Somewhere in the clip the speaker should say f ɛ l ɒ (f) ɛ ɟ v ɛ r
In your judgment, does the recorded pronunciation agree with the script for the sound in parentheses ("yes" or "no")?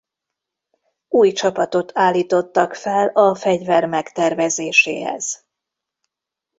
yes